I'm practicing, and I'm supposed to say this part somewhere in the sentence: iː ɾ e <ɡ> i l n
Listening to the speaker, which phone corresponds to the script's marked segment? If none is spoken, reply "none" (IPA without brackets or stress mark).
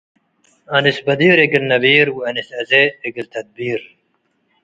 ɡ